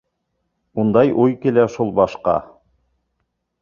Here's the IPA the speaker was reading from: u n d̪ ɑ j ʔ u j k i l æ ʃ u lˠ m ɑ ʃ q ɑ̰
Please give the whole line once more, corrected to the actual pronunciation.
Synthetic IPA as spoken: u n d̪ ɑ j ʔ u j k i l æ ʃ u lˠ b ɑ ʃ q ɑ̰